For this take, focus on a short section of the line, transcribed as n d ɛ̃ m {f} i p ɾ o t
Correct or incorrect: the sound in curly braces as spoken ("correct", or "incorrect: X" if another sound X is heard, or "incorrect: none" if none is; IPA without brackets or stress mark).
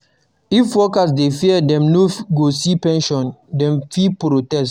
correct